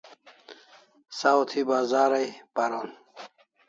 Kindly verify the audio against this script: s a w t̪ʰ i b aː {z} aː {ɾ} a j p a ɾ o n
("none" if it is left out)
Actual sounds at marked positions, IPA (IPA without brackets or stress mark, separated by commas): z, ɾ